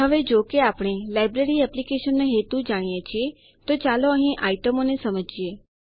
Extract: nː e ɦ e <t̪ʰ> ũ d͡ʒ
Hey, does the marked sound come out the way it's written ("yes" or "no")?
no